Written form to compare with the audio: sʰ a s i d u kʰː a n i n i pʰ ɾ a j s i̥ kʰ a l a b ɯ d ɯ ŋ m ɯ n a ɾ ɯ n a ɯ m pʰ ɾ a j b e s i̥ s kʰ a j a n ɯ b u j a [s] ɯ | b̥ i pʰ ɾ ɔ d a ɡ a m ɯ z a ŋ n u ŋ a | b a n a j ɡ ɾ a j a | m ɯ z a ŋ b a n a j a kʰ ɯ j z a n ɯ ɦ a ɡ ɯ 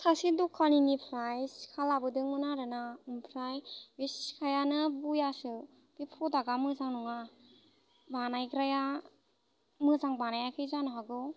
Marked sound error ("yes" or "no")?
no